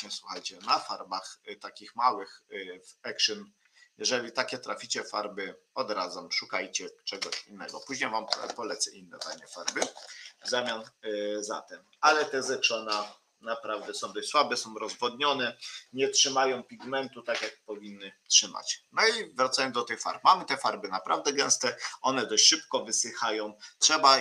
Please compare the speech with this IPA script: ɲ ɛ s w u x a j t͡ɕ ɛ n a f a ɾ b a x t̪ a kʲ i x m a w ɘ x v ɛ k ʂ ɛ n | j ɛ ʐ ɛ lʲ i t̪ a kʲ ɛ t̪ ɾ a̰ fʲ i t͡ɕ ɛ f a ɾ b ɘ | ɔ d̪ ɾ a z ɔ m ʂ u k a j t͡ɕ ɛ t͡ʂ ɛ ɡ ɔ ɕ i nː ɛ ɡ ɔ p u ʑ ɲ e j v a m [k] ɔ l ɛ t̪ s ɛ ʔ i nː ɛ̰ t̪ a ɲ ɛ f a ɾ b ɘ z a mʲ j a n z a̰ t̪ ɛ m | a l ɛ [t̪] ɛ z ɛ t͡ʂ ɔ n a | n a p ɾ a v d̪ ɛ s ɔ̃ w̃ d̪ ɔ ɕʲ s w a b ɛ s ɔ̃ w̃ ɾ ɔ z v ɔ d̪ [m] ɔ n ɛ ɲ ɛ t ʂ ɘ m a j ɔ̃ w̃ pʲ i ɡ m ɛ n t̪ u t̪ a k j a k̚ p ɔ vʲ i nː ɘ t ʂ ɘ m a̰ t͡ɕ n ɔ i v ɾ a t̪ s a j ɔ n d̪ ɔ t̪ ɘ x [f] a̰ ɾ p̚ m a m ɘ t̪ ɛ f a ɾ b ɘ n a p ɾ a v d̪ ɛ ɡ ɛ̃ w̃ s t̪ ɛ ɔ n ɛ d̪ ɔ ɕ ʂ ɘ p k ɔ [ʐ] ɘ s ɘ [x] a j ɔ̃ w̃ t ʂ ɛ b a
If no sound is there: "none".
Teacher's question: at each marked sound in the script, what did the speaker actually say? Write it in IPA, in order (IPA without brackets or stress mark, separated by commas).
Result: p, t̪, ɲ, f, v, x